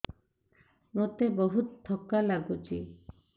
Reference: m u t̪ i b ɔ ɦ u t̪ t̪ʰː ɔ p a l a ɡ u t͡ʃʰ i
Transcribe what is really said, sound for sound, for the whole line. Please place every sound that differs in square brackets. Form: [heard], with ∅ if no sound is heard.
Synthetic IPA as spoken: m [o] t̪ [e] b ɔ ɦ u t̪ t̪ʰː ɔ [k] a l a ɡ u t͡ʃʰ i